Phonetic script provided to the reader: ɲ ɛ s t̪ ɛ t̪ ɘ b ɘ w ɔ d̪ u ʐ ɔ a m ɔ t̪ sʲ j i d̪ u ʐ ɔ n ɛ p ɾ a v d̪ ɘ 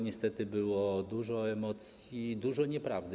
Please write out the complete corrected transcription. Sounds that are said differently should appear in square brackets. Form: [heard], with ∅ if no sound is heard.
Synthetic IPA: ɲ ɛ s t̪ ɛ t̪ ɘ b ɘ w ɔ d̪ u ʐ ɔ [ɛ] m ɔ t̪ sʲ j i d̪ u ʐ ɔ [ɲ] ɛ p ɾ a v d̪ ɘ